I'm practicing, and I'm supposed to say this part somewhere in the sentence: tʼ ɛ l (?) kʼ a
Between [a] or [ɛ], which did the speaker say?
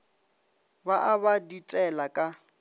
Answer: a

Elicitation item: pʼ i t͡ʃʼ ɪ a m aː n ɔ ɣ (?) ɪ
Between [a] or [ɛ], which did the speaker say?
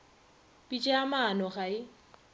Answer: a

